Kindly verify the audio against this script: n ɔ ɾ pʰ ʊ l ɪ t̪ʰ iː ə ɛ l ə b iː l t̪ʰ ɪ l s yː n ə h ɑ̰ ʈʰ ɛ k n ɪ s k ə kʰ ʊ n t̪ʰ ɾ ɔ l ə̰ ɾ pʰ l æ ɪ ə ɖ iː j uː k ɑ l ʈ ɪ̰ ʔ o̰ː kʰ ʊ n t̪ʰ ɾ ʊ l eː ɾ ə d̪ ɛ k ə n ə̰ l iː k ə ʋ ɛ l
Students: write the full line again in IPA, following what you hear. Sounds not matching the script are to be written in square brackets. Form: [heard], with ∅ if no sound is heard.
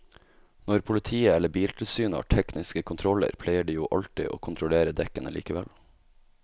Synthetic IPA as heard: n ɔ ɾ pʰ ʊ l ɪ t̪ʰ iː ə ɛ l ə b iː l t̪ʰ ɪ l s yː n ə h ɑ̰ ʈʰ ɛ k n ɪ s k ə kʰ ʊ n t̪ʰ ɾ ɔ l ə̰ ɾ pʰ l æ ɪ ə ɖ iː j uː [ʔ] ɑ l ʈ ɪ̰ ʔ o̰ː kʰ ʊ n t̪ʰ ɾ ʊ l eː ɾ ə d̪ ɛ k ə n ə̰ l iː k ə ʋ ɛ l